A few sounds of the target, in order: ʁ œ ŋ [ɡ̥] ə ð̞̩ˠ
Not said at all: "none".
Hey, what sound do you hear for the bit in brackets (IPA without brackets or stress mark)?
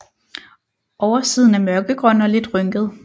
ɡ̥